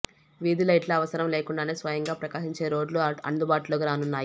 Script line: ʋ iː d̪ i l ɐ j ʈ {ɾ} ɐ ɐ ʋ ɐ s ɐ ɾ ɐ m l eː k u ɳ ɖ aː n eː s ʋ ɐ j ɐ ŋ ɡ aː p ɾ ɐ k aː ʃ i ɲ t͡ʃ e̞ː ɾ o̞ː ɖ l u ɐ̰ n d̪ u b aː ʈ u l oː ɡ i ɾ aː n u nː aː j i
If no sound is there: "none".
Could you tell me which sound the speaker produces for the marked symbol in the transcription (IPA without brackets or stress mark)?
l